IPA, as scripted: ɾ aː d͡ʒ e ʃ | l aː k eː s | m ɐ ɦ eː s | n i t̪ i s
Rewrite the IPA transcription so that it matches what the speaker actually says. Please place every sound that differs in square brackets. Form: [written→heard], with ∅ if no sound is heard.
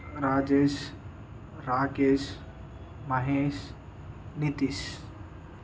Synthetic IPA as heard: ɾ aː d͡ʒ e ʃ | [l→ɾ] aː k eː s | m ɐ ɦ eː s | n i t̪ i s